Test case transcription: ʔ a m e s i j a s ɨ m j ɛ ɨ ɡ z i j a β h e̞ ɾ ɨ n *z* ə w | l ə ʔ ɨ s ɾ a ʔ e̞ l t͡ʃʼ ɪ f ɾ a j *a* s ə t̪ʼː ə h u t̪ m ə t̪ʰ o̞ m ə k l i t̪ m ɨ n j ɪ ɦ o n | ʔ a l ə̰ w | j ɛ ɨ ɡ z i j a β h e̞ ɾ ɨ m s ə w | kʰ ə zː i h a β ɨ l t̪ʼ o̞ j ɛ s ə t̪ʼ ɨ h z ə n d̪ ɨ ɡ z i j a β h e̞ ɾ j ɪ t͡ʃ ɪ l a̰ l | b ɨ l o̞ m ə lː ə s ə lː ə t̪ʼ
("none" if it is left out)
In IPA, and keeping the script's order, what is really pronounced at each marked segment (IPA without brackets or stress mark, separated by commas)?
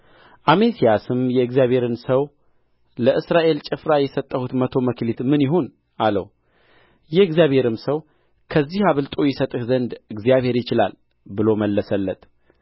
s, ɛ